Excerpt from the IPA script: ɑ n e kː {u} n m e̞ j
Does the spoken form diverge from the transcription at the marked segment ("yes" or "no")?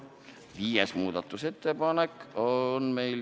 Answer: yes